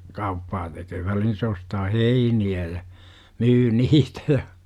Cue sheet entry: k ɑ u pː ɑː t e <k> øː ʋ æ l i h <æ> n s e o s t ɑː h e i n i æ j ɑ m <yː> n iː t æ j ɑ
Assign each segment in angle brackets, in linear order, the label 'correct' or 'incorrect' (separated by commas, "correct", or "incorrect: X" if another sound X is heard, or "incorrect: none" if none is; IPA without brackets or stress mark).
correct, incorrect: i, correct